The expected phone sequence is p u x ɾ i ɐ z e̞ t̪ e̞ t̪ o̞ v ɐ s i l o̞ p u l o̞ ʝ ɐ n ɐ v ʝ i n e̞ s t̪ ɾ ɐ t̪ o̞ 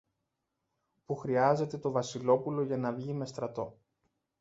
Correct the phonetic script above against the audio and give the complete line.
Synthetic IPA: p u x ɾ i ɐ z e̞ t̪ e̞ t̪ o̞ v ɐ s i l o̞ p u l o̞ ʝ ɐ n ɐ v ʝ i m e̞ s t̪ ɾ ɐ t̪ o̞